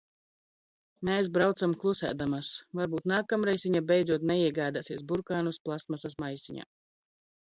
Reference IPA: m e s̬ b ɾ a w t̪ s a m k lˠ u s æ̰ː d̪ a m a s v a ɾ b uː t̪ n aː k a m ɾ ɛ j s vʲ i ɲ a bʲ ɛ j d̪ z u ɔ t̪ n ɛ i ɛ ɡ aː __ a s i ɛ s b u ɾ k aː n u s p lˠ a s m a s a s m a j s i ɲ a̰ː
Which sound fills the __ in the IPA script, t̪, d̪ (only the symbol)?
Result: d̪